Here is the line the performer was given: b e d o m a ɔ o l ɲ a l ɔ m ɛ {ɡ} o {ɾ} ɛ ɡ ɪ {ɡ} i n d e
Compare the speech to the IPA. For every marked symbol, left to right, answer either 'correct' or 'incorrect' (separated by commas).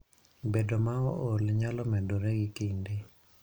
incorrect, correct, incorrect